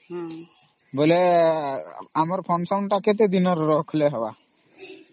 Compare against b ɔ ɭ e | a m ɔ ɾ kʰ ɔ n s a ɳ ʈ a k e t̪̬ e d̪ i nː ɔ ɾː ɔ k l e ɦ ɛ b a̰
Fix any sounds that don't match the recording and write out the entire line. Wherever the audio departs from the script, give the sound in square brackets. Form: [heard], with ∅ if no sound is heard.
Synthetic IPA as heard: b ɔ [l] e | a m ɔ ɾ [pʰ] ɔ n s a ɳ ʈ a k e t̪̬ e d̪ i [n] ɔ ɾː ɔ [kʰ] l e ɦ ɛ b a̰